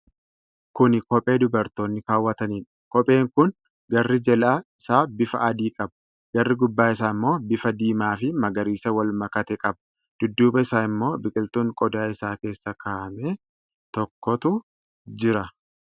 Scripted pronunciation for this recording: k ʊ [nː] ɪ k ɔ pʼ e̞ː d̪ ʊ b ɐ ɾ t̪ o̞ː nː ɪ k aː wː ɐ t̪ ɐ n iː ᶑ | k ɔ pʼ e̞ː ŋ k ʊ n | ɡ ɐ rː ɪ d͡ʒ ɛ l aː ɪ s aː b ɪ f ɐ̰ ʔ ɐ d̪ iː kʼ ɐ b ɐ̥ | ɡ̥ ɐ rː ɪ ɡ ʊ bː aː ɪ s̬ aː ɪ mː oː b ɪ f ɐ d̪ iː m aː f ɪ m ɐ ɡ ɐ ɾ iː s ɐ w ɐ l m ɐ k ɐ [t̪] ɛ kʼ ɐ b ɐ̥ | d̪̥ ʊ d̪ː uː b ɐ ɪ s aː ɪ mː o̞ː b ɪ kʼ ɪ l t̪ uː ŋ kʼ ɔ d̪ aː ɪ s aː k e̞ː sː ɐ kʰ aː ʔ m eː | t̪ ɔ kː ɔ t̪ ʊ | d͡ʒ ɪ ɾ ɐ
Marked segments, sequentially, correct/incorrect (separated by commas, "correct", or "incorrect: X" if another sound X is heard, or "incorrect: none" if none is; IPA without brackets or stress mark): incorrect: n, correct